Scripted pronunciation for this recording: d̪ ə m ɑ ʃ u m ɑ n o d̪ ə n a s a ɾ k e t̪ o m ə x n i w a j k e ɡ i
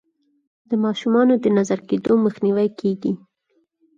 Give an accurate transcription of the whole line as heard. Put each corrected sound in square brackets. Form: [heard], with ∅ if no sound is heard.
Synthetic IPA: d̪ ə m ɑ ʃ u m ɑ n o d̪ ə n a [z] a ɾ k e [d̪] o m ə x n i w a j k e ɡ i

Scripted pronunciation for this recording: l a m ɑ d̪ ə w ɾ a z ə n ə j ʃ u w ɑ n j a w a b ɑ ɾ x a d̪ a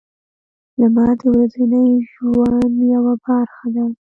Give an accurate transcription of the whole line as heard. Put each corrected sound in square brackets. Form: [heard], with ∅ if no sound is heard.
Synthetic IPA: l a m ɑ d̪ ə w ɾ a z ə n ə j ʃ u w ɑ n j a w a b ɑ ɾ x a d̪ a

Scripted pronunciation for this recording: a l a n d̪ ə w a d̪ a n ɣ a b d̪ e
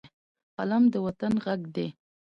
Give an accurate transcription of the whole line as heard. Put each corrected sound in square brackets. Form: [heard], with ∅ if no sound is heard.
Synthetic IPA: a l a [m] d̪ ə w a [t̪] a n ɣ a [ɡ] d̪ e

